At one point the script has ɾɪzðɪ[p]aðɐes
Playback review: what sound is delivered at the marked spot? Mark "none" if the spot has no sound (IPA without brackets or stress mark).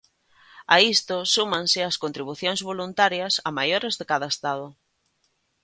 k